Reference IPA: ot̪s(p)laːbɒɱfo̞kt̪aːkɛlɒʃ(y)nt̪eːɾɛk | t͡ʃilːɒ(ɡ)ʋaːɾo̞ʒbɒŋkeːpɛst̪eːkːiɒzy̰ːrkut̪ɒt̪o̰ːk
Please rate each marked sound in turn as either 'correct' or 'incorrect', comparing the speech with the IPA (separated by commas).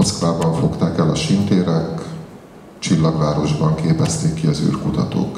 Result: incorrect, incorrect, correct